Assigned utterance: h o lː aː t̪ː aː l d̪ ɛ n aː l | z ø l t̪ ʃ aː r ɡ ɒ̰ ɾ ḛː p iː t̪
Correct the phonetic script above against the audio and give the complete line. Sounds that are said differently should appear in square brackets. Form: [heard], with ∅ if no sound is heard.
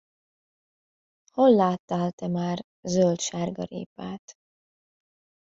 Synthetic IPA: h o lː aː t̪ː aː l [t̪] ɛ [m] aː [r] | z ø l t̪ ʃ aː r ɡ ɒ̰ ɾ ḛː p [aː] t̪